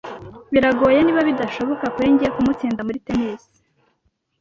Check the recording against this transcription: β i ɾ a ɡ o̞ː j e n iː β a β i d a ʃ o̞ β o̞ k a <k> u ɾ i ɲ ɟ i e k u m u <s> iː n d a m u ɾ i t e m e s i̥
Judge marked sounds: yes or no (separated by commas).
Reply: yes, no